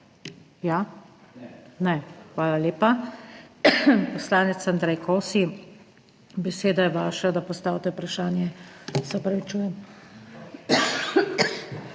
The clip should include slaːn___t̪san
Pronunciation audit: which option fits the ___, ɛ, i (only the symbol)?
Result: ɛ